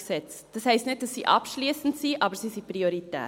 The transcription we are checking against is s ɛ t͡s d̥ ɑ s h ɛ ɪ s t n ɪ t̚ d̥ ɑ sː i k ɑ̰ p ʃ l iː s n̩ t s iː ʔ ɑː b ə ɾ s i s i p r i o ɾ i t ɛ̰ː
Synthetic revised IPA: s ɛ t͡s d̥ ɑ s h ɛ ɪ s t n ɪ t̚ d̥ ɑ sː i ʔ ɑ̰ p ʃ l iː s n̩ t s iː ʔ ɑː b ə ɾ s i s i p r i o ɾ i t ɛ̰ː